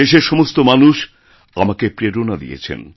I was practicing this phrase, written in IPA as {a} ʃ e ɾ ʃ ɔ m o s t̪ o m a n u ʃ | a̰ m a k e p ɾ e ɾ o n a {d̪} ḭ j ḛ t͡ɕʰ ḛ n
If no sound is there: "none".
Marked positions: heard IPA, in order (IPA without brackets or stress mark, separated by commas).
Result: e, d̪